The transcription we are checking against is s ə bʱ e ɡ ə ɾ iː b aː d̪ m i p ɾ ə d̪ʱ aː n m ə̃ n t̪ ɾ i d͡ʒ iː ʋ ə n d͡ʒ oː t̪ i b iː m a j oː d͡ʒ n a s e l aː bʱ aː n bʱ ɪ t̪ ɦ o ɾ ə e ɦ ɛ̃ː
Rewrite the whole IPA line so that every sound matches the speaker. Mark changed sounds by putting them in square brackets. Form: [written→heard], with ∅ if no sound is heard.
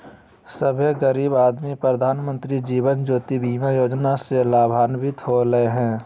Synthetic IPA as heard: s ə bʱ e ɡ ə ɾ iː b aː d̪ m i p ɾ ə d̪ʱ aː n m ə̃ n t̪ ɾ i d͡ʒ iː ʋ ə n d͡ʒ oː t̪ i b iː m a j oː d͡ʒ n a s e l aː bʱ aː n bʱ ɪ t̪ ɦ o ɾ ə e ɦ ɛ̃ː